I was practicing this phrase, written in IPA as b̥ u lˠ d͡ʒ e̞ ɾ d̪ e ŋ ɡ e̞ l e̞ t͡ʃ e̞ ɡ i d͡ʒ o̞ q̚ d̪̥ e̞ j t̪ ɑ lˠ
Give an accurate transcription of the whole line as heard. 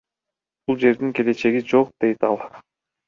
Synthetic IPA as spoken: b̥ u lˠ d͡ʒ e̞ ɾ d̪ i ŋ k e̞ l e̞ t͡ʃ e̞ ɡ i d͡ʒ o̞ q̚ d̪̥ e̞ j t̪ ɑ lˠ